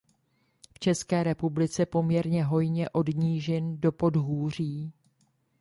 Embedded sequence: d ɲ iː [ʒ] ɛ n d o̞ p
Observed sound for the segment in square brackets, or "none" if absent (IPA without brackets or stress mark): ʒ